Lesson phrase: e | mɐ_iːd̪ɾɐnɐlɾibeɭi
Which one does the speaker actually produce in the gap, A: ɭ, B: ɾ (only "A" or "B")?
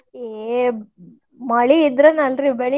A